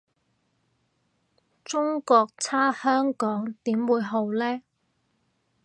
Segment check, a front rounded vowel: present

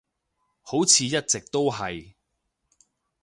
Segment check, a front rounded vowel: absent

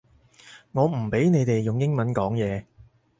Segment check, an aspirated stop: absent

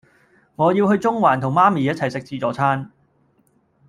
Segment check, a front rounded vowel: absent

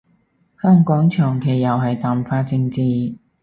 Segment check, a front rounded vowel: present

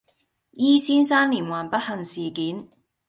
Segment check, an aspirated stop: absent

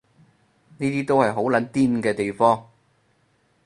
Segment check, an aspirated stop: absent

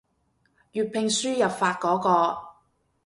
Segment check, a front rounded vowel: present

